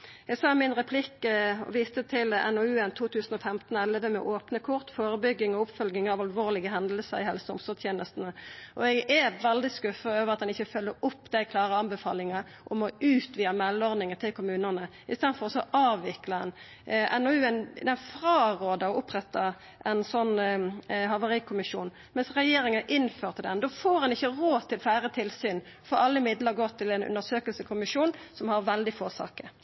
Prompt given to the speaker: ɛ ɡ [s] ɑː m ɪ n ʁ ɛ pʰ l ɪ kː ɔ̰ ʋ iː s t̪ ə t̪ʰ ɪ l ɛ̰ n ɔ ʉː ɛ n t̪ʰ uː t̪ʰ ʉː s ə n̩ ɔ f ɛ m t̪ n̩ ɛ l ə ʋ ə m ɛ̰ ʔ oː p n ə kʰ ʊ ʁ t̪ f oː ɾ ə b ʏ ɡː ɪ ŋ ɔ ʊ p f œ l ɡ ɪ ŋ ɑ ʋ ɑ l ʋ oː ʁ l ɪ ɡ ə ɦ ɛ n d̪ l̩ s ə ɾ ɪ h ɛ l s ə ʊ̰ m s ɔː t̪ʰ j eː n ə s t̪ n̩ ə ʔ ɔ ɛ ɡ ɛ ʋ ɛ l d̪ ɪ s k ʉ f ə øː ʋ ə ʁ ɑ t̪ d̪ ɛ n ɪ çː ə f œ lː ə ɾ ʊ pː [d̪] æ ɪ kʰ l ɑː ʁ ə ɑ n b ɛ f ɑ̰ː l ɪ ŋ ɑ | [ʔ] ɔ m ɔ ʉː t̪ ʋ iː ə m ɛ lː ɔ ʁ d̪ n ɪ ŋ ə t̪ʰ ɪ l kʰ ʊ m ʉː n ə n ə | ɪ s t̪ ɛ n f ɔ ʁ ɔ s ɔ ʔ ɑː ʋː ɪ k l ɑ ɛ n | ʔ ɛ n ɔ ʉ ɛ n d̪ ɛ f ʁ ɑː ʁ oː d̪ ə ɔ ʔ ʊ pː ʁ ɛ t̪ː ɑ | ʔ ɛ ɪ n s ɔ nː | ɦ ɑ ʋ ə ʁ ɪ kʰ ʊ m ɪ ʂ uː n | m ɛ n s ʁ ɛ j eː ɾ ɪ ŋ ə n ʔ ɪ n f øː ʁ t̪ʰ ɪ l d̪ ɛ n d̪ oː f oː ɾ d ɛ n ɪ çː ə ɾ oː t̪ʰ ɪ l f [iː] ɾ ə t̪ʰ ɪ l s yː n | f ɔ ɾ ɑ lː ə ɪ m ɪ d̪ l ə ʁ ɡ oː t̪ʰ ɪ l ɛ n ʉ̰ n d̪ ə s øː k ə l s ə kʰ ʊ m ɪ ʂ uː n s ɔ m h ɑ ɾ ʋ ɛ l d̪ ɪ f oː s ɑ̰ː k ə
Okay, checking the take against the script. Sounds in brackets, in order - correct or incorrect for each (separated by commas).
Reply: correct, correct, correct, incorrect